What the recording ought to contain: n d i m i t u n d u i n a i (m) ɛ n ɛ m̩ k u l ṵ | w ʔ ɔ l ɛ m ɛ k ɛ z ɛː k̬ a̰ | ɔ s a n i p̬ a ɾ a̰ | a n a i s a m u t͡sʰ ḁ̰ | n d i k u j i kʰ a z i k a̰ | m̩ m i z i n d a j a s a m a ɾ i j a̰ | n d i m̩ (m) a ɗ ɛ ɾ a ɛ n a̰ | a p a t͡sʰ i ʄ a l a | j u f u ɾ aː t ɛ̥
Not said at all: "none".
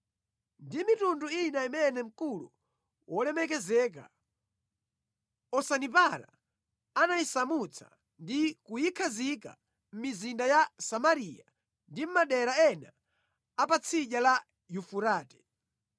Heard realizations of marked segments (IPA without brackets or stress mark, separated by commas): m, m